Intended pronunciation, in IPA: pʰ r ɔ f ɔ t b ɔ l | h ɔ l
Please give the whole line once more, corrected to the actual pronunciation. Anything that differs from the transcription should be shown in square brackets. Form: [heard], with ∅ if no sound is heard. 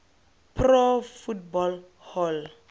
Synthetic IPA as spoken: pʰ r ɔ f [u] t b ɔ l | h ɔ l